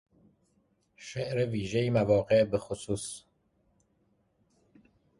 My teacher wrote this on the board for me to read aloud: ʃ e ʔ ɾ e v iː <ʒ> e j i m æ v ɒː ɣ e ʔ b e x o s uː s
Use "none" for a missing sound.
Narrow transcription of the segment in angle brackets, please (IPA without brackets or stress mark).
ʒ